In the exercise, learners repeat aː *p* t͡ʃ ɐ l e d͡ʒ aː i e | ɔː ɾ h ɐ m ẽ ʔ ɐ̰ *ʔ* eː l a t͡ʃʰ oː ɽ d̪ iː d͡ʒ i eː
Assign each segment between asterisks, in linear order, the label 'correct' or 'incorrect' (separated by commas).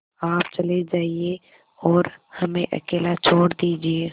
correct, incorrect